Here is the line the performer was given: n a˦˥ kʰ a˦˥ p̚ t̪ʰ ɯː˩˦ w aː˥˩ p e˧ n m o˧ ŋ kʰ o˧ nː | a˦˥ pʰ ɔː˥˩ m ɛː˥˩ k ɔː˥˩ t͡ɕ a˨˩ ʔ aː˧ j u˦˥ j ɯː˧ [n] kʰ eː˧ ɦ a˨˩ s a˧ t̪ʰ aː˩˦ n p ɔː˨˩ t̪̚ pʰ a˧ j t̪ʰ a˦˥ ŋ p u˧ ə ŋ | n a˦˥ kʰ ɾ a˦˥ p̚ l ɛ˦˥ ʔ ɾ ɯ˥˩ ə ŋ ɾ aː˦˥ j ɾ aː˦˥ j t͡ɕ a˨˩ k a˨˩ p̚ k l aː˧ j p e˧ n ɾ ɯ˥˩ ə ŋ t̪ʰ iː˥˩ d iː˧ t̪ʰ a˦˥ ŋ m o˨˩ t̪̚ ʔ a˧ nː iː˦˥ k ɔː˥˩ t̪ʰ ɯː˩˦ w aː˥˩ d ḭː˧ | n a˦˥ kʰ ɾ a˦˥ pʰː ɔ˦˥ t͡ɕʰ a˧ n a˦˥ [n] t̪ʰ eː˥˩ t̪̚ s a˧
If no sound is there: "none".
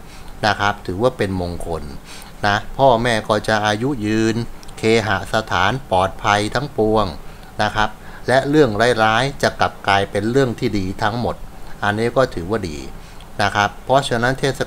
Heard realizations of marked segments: n, n

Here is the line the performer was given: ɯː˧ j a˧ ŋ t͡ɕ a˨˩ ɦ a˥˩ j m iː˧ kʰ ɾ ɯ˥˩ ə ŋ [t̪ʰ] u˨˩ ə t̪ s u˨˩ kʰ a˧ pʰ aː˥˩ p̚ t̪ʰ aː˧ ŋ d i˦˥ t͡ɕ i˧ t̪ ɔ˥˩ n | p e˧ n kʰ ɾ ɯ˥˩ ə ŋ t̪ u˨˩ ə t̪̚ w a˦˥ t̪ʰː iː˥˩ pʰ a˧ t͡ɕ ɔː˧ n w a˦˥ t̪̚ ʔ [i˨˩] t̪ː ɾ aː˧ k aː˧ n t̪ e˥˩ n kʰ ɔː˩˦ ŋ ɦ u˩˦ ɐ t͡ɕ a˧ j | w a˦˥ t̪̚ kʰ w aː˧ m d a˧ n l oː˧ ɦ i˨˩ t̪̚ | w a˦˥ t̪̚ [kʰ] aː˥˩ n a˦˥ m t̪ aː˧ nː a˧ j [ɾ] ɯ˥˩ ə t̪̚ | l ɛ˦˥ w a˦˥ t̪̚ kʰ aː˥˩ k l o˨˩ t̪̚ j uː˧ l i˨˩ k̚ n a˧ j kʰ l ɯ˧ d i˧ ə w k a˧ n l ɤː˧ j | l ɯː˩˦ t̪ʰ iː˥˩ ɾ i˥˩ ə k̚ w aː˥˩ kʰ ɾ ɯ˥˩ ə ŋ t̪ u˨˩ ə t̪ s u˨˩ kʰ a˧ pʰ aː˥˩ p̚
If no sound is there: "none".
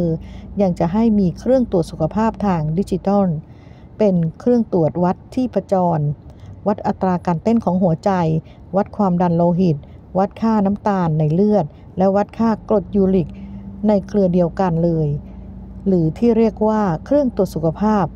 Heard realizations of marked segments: t̪, a˨˩, kʰ, l

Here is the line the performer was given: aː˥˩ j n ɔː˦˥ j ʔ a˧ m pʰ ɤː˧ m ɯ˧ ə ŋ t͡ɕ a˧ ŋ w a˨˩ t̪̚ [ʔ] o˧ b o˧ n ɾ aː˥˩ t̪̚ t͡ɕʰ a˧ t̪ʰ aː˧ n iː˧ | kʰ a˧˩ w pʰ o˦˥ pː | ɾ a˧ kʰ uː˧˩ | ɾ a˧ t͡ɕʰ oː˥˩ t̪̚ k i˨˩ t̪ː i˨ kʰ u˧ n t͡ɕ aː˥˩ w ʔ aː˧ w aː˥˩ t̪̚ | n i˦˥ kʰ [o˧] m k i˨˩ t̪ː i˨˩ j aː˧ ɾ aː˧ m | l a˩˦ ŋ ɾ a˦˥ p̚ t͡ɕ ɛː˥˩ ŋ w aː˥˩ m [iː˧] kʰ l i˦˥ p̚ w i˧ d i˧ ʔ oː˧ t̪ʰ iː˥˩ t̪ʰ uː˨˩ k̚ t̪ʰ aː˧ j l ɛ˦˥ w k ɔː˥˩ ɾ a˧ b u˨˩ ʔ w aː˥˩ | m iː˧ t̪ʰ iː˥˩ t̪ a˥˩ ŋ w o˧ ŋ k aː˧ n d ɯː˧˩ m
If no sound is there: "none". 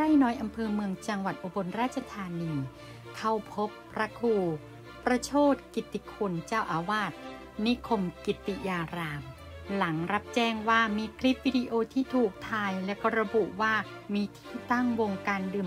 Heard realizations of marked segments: ʔ, o˧, iː˧

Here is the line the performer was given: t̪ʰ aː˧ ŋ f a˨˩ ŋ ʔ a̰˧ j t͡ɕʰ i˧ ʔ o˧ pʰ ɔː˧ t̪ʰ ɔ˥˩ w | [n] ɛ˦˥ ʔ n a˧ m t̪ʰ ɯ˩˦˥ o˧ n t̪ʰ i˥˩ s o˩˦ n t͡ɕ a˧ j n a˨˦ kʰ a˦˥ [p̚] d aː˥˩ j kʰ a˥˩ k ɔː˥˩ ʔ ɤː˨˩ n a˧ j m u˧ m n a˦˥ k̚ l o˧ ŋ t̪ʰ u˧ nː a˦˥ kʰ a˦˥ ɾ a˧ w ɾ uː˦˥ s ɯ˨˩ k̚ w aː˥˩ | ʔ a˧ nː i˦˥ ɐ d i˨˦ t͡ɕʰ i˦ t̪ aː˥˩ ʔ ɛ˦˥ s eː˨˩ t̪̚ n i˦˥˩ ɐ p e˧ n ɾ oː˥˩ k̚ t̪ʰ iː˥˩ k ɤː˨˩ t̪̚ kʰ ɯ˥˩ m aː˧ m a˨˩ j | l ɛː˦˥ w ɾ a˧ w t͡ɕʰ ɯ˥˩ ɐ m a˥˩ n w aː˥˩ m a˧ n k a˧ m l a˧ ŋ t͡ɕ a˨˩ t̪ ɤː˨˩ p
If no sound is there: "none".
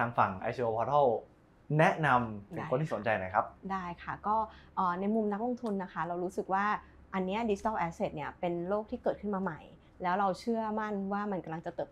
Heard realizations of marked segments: n, p̚

